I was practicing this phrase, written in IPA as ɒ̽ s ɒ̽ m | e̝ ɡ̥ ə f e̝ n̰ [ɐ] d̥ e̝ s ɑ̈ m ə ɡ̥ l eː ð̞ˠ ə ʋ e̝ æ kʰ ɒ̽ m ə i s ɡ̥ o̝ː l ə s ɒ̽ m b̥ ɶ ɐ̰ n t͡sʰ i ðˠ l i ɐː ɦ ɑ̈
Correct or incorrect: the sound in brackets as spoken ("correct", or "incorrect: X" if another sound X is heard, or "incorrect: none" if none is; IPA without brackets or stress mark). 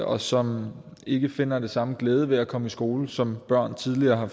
correct